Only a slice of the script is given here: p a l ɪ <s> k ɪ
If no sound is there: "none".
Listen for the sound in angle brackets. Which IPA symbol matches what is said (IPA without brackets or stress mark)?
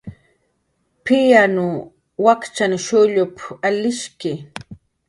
ʃ